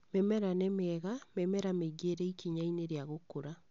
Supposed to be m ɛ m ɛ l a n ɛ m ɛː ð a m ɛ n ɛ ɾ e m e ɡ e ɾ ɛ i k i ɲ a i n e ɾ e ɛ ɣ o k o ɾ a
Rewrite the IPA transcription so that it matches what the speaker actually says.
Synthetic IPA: m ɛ m ɛ ɾ a n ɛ m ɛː ɣ a m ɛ m ɛ ɾ a m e ɡ e ɾ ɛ i k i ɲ a i n e ɾ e a ɣ o k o ɾ a

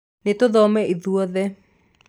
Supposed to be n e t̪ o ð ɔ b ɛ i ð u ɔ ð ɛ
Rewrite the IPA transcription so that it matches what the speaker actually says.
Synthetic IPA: n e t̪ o ð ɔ m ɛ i ð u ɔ ð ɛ

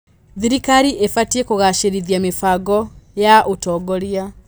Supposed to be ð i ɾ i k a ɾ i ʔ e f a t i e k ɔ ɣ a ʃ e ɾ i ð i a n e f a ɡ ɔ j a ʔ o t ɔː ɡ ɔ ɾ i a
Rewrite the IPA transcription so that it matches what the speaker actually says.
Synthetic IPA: ð i ɾ i k a ɾ i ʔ e f a t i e k o ɣ a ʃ e ɾ i ð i a m e f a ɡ ɔ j a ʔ o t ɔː ɡ ɔ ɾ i a

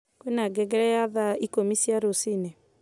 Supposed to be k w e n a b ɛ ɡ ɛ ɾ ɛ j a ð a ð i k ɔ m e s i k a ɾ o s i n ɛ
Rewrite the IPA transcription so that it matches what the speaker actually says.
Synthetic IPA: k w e n a ɡ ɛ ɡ ɛ ɾ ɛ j a ð a i k o m i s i a ɾ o s i n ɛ

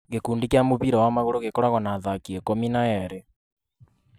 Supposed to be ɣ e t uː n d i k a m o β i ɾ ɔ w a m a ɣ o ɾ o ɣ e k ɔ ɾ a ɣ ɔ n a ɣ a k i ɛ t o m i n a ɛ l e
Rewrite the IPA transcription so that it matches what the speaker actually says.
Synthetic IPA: ɣ e k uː n d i k a m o β i ɾ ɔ w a m a ɣ o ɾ o ɣ e k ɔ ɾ a ɣ ɔ n a ð a k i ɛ k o m i n a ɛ ɾ e

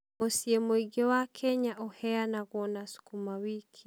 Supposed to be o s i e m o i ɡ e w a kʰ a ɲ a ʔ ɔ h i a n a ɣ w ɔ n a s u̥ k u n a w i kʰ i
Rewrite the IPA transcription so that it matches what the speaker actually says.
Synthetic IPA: o s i e m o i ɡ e w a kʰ ɛ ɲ a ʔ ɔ h ɛ a n a ɣ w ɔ n a s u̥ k u m a w i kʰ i

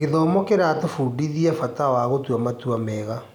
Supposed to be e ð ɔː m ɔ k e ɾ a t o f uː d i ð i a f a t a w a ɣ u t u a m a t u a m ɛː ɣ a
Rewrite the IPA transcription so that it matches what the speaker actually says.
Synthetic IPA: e ð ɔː m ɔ k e ɾ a t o f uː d i ð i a f a t a w a ɣ o t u a m a t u a m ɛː ɣ a

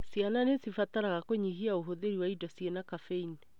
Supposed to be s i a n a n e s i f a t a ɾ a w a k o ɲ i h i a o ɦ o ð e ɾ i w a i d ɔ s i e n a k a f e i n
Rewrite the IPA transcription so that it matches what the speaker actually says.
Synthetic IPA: s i a n a n e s i f a t a ɾ a ɣ a k o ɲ i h i a o ɦ o ð e ɾ i w a i d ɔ s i e n a k a f e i n

